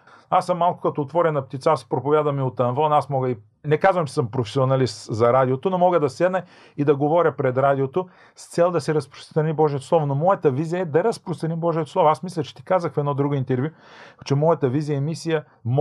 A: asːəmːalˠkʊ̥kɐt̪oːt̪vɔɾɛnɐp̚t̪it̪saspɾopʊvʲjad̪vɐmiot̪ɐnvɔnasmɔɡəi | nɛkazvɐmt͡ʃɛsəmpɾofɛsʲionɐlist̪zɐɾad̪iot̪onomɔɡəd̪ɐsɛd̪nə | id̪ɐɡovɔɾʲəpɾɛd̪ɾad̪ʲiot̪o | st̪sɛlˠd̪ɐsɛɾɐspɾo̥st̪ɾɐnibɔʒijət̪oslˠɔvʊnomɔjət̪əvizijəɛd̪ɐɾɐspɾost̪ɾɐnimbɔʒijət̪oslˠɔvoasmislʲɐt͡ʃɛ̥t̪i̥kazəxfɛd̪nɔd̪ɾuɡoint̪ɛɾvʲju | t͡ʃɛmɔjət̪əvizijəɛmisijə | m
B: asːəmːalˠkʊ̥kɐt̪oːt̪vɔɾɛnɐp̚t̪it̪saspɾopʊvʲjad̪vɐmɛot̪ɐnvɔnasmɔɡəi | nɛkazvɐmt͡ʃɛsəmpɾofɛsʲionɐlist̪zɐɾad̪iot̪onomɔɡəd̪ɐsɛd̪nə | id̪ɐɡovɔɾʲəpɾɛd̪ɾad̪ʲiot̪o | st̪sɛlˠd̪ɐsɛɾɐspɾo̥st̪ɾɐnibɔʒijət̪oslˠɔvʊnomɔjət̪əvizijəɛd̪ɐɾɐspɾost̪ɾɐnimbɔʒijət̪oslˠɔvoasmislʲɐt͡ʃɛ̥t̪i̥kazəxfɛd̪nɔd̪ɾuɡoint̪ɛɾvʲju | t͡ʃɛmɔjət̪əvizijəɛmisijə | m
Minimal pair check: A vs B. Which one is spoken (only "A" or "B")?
A